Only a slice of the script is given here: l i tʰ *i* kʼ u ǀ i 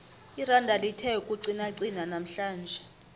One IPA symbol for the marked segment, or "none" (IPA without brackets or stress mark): ɛ